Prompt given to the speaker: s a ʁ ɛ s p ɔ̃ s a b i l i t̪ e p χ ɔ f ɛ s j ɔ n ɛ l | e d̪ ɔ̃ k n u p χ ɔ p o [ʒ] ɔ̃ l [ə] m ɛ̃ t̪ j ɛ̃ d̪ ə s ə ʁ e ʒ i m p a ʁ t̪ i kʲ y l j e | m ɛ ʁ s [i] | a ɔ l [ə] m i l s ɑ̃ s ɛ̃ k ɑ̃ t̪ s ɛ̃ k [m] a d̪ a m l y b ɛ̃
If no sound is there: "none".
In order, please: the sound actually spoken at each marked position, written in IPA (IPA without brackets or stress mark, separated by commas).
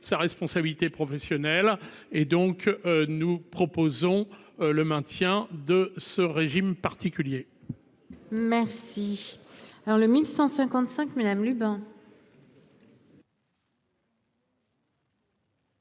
z, ə, i, ə, m